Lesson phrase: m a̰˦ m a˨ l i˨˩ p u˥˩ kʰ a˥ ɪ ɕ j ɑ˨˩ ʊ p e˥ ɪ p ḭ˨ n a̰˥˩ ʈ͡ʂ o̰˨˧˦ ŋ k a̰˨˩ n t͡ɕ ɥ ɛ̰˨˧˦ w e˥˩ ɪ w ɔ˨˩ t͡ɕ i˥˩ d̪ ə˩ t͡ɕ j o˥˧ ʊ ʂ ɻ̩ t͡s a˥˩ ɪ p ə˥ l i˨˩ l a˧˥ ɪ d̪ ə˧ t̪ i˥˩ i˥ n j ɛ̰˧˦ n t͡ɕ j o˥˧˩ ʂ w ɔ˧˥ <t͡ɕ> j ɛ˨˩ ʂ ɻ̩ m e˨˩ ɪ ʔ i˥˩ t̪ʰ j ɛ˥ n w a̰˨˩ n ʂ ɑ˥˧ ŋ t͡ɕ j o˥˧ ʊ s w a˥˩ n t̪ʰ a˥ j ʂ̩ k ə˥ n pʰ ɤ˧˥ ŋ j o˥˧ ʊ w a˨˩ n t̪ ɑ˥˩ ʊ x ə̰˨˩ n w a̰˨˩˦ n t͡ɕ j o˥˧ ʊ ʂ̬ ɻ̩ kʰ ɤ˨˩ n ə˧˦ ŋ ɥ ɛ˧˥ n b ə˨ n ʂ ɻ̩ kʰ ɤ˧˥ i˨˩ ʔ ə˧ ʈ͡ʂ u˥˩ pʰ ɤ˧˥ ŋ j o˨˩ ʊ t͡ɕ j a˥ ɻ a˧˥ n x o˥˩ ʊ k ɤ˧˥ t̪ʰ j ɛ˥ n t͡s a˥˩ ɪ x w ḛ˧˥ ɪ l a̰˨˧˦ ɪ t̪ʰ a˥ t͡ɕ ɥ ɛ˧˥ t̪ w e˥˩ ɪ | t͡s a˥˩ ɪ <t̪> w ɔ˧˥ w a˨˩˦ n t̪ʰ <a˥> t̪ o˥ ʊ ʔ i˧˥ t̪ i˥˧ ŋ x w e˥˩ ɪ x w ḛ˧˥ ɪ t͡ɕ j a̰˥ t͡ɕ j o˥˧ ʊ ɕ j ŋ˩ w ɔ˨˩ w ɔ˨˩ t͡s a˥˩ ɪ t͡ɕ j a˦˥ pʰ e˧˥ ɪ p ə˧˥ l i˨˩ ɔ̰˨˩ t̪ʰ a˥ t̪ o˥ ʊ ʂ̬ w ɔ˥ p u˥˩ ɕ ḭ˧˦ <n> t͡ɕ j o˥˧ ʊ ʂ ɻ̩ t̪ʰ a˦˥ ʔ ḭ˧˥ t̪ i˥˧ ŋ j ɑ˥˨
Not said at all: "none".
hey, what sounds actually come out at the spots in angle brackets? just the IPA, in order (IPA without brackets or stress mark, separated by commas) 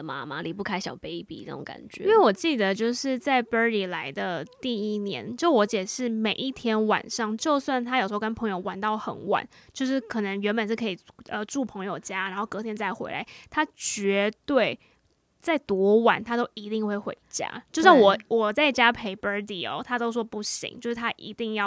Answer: t͡ɕ, t̪, a˥, ŋ